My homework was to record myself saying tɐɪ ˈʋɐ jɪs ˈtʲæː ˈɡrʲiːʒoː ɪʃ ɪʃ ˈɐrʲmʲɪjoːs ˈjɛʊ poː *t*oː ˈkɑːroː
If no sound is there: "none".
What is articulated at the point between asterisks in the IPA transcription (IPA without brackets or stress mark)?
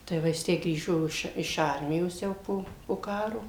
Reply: p